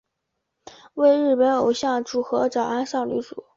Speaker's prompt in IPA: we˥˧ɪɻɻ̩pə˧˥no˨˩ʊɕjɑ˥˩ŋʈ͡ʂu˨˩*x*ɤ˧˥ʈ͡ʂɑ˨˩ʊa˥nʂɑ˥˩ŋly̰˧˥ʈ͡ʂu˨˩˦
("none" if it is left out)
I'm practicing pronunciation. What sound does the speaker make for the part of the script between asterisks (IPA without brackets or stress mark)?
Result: x